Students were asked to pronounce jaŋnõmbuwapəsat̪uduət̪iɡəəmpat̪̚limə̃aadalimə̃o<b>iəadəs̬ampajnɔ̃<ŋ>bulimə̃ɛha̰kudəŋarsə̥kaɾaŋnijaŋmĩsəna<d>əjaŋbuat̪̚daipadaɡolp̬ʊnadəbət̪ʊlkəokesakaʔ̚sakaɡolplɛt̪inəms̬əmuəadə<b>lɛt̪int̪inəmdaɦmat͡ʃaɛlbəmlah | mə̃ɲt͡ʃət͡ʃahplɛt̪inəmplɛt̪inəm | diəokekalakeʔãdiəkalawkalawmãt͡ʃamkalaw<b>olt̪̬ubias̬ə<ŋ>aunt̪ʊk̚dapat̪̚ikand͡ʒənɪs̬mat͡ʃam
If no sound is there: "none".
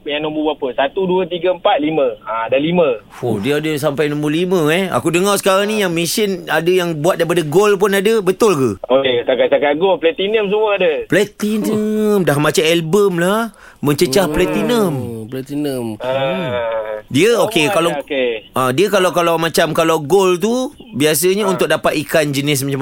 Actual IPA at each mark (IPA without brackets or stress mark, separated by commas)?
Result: d, m, d, p, ɡ, ɲ